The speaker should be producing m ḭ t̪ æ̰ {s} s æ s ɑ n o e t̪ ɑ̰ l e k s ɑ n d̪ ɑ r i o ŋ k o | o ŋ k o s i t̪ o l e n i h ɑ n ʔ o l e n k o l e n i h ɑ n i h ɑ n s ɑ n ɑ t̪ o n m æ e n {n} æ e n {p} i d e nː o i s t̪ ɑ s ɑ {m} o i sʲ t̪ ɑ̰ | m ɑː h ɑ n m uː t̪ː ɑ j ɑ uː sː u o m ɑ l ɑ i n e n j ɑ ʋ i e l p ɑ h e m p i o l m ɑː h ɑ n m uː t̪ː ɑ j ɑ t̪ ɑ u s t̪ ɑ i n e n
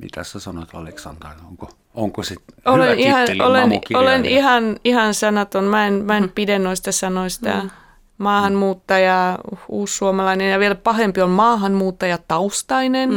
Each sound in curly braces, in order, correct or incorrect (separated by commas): correct, incorrect, correct, incorrect